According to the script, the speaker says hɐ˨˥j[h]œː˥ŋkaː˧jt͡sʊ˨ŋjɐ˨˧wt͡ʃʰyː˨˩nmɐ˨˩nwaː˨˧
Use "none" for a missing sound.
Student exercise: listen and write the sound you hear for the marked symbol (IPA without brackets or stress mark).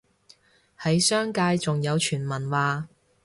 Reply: s